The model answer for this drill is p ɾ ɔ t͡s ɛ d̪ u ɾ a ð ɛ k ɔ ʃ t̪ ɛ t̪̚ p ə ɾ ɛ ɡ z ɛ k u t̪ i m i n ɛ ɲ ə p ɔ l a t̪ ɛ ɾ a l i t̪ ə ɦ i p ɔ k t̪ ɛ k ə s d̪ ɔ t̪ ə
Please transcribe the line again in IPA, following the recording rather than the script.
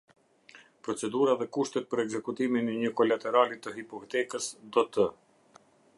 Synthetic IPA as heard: p ɾ ɔ t͡s ɛ d̪ u ɾ a ð ɛ k u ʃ t̪ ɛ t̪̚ p ə ɾ ɛ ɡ z ɛ k u t̪ i m i n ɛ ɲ ə k ɔ l a t̪ ɛ ɾ a l i t̪ ə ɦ i p ɔ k t̪ ɛ k ə s d̪ ɔ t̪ ə